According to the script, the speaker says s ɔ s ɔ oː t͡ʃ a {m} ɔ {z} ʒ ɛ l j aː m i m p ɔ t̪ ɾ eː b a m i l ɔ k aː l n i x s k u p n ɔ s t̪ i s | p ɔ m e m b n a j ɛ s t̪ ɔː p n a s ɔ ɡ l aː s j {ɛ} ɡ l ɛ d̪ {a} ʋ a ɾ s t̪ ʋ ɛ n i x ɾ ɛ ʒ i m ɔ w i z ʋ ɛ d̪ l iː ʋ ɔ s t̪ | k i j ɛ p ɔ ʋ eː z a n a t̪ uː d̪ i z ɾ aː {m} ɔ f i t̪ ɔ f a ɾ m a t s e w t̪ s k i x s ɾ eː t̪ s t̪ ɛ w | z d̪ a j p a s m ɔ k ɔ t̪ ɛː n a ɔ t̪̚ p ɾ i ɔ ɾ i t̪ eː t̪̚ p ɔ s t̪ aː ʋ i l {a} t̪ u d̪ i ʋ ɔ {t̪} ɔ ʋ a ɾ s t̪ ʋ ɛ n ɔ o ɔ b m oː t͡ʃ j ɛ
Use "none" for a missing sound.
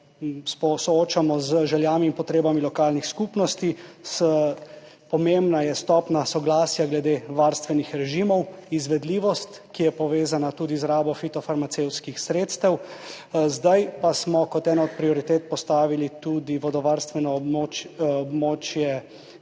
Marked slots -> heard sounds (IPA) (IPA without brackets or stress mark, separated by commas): m, z, a, e, b, i, d̪